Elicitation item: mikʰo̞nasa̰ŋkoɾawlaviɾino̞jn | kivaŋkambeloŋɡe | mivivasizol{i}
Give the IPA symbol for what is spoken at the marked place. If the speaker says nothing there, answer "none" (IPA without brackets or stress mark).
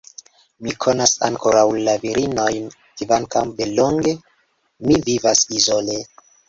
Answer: e